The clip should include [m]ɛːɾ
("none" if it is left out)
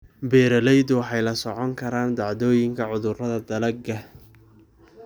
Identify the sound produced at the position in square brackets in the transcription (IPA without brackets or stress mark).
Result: b